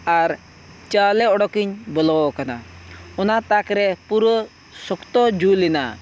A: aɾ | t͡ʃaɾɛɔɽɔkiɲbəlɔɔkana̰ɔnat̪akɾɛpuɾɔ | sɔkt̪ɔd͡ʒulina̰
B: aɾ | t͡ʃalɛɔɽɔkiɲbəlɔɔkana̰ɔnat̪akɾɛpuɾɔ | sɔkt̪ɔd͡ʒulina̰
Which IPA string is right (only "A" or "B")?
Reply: B